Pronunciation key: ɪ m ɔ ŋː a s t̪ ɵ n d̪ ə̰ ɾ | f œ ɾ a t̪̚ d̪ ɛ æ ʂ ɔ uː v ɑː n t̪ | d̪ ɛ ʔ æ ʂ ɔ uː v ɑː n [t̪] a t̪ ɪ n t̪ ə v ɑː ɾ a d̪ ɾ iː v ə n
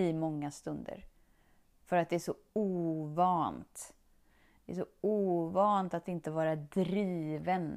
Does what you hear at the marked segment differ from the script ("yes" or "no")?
no